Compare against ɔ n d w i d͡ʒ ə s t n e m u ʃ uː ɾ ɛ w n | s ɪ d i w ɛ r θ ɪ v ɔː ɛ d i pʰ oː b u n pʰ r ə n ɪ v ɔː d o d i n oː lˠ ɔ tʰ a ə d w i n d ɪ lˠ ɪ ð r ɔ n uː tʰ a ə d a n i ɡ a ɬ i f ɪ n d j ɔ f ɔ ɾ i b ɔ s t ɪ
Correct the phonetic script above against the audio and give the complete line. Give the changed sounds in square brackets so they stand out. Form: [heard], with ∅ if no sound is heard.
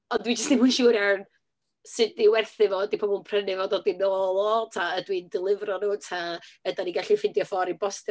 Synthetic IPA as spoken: ɔ n d w i d͡ʒ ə s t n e m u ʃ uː ɾ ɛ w n | s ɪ d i w ɛ r θ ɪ v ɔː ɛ d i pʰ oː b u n pʰ r ə n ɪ v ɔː d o d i n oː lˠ ɔ tʰ a ə d w i n d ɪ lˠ ɪ [v] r ɔ n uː tʰ a ə d a n i ɡ a ɬ i f ɪ n d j ɔ f ɔ ɾ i b ɔ s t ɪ

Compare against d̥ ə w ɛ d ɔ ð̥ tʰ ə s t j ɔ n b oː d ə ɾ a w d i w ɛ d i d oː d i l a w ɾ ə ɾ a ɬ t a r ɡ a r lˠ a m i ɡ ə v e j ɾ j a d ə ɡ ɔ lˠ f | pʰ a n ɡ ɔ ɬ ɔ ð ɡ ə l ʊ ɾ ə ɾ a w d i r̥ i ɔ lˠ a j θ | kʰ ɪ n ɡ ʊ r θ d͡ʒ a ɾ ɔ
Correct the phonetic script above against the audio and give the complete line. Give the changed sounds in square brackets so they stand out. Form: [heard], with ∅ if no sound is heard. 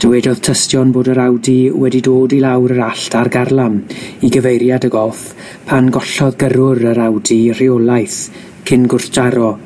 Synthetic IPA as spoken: d̥ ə w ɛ d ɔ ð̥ tʰ ə s t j ɔ n b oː d ə ɾ a w d i w ɛ d i d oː d i l a w ɾ ə ɾ a ɬ t a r ɡ a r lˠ a m i ɡ ə v e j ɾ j a d ə ɡ ɔ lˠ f | pʰ a n ɡ ɔ ɬ ɔ ð ɡ ə [ɾ] ʊ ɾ ə ɾ a w d i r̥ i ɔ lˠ a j θ | kʰ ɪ n ɡ ʊ r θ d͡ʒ a ɾ ɔ

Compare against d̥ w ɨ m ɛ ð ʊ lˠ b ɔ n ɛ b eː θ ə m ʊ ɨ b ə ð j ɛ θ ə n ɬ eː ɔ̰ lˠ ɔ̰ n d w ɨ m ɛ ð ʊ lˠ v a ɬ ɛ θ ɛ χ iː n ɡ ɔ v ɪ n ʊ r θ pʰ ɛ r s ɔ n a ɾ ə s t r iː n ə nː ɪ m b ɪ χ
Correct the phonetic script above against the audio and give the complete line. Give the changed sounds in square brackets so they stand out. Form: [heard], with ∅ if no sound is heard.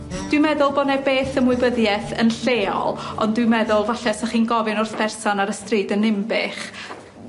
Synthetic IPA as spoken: d̥ w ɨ m ɛ ð ʊ lˠ b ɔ n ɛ b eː θ ə m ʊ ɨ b ə ð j ɛ θ ə n ɬ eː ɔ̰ lˠ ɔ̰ n d w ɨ m ɛ ð ʊ lˠ v a ɬ ɛ [s] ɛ χ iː n ɡ ɔ v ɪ n ʊ r θ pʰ ɛ r s ɔ n a ɾ ə s t r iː [d] ə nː ɪ m b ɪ χ

